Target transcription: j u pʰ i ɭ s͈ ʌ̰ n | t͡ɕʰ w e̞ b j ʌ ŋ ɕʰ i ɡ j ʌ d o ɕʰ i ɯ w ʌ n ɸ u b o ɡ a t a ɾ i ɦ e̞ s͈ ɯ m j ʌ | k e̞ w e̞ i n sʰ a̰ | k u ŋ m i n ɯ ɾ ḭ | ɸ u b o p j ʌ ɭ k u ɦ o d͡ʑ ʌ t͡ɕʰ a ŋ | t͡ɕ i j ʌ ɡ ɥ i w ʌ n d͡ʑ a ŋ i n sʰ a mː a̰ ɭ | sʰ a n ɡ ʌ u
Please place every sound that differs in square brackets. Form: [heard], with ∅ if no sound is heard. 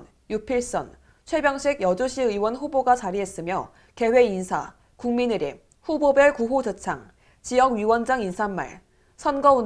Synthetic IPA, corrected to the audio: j u pʰ i ɭ s͈ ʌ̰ n | t͡ɕʰ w e̞ b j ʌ ŋ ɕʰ i ɡ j ʌ [d͡ʑ] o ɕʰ i ɯ w ʌ n ɸ u b o ɡ a [t͡ɕ] a ɾ i ɦ e̞ s͈ ɯ m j ʌ | k e̞ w e̞ i n sʰ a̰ | k u ŋ m i n ɯ ɾ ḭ | ɸ u b o [b] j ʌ ɭ k u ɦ o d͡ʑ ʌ t͡ɕʰ a ŋ | t͡ɕ i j ʌ ɡ ɥ i w ʌ n d͡ʑ a ŋ i n sʰ a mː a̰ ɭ | sʰ [ʌ] n ɡ ʌ u

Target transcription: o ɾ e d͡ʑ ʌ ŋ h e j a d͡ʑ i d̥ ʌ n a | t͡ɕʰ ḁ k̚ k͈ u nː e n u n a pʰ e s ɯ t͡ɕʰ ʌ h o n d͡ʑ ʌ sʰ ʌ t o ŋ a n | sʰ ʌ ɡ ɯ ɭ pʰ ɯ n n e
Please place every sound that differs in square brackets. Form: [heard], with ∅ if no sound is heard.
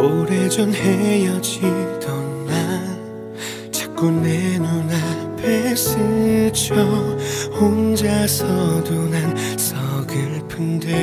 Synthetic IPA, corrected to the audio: o ɾ e d͡ʑ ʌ [n] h e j [ʌ] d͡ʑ i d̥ ʌ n a | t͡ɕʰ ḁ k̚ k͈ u nː e n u n a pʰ e s ɯ t͡ɕʰ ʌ h o n d͡ʑ [a] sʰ ʌ [d] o [n] a n | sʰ ʌ ɡ ɯ ɭ pʰ ɯ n [d] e

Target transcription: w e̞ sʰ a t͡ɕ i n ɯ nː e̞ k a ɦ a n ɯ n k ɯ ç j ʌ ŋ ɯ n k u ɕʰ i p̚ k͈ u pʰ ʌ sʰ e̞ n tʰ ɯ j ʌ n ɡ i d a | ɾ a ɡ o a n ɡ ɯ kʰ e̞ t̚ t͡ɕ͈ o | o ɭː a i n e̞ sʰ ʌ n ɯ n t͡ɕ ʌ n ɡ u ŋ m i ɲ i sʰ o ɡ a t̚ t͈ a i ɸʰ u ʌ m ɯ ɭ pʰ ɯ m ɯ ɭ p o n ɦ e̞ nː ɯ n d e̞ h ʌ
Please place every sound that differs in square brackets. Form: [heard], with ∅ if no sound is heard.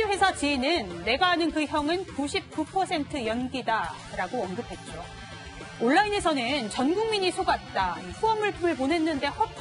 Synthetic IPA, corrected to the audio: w e̞ sʰ a t͡ɕ i n ɯ nː e̞ [ɡ] a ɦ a n ɯ n k ɯ ç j ʌ ŋ ɯ n k u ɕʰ i p̚ k͈ u pʰ ʌ sʰ e̞ n tʰ ɯ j ʌ n ɡ i d a | ɾ a ɡ o [ʌ] n ɡ ɯ [pʰ] e̞ t̚ t͡ɕ͈ o | o ɭː a i n e̞ sʰ ʌ n ɯ n t͡ɕ ʌ n ɡ u ŋ m i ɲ i sʰ o ɡ a t̚ t͈ a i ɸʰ u ʌ m ɯ ɭ pʰ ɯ m ɯ ɭ p o n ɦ e̞ nː ɯ n d e̞ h ʌ

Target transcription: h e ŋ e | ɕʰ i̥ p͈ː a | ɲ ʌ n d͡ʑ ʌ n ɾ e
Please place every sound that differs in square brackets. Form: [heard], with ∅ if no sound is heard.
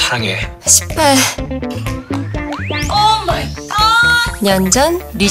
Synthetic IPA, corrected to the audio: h [a] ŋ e | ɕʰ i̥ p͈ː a | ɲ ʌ n d͡ʑ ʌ n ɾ [i]

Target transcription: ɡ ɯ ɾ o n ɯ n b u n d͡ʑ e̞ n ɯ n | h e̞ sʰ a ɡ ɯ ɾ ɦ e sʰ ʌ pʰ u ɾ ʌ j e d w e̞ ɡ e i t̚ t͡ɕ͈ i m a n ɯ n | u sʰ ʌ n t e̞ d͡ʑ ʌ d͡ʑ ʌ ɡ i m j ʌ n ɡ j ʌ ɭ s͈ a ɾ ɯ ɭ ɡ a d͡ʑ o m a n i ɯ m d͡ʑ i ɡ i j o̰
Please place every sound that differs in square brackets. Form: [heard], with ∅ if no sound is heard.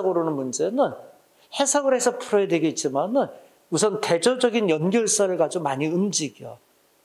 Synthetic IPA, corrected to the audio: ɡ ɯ ɾ o n ɯ n [m] u n d͡ʑ e̞ n ɯ n | h e̞ sʰ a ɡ ɯ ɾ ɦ e sʰ ʌ pʰ u ɾ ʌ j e d w e̞ ɡ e i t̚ t͡ɕ͈ i m a n ɯ n | u sʰ ʌ n t e̞ d͡ʑ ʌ d͡ʑ ʌ ɡ i [n] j ʌ n ɡ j ʌ ɭ s͈ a ɾ ɯ ɭ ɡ a d͡ʑ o m a [ɲ] i ɯ m d͡ʑ i ɡ i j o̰

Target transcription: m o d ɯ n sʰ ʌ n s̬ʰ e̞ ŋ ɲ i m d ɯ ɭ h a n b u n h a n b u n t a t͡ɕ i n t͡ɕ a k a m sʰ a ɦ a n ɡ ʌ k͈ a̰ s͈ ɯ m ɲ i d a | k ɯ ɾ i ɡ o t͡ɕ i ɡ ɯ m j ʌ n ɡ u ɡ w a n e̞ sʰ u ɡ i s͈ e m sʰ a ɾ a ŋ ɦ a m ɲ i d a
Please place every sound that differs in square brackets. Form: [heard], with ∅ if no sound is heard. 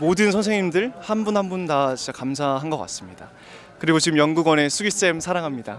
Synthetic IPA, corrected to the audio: m o d ɯ n sʰ ʌ n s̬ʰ e̞ ŋ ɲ i m d ɯ ɭ h a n b u n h a n b u n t a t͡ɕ i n t͡ɕ a k a m sʰ a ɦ a n ɡ ʌ k͈ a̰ s͈ ɯ m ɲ i d a | k ɯ ɾ i ɡ o t͡ɕ i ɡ ɯ m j ʌ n ɡ u ɡ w [ʌ] n e̞ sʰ u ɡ i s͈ e m sʰ a ɾ a ŋ ɦ a m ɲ i d a

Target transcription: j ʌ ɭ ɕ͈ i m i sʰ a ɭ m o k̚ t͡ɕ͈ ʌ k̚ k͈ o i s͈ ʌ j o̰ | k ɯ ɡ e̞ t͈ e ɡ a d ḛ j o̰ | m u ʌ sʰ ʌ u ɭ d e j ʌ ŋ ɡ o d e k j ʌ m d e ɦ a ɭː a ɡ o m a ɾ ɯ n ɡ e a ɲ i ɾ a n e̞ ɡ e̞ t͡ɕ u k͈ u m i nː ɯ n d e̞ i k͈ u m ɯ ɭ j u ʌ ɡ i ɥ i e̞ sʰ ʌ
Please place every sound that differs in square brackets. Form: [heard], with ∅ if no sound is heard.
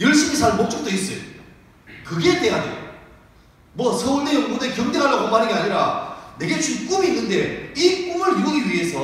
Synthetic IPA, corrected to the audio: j ʌ ɭ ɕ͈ i m i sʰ a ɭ m o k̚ t͡ɕ͈ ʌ k̚ [t͈] o i s͈ ʌ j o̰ | k ɯ ɡ e̞ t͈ e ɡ a d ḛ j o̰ | m [w] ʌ sʰ ʌ u ɭ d e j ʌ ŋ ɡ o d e k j ʌ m d e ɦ a ɭː a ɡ o m a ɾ ɯ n ɡ e a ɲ i ɾ a n e̞ ɡ e̞ t͡ɕ u k͈ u m i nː ɯ n d e̞ i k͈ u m ɯ ɭ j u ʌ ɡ i ɥ i e̞ sʰ ʌ

